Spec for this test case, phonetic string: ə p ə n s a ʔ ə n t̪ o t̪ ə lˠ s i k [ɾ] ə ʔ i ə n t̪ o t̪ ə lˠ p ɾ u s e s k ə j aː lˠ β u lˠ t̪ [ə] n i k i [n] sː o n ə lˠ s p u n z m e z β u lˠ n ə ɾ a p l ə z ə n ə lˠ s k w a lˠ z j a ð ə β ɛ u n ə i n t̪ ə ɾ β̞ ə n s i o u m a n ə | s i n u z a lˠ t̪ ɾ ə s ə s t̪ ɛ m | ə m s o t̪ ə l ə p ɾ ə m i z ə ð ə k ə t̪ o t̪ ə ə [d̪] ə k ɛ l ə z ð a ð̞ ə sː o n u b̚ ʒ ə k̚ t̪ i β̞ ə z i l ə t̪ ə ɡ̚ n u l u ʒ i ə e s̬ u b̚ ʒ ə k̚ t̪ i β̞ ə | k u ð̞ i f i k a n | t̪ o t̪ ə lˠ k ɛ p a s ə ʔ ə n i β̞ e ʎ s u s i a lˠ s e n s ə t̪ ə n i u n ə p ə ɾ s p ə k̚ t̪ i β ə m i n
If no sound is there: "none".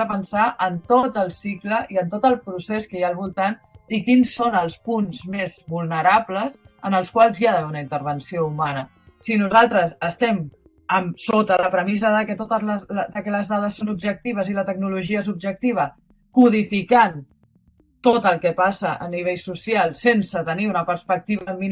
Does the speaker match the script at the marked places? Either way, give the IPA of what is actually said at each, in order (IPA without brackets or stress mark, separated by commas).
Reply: l, a, n, d̪